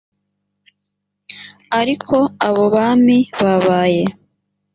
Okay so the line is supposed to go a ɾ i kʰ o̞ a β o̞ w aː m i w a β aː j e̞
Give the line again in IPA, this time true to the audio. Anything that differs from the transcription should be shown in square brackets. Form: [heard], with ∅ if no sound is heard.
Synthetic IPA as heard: a ɾ i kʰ o̞ a β o̞ [β] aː m i [β] a β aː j e̞